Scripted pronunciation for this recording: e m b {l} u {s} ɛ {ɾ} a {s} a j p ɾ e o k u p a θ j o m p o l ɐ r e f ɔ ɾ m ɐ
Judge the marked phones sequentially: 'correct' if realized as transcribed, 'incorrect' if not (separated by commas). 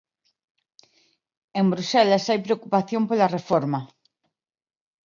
incorrect, correct, incorrect, correct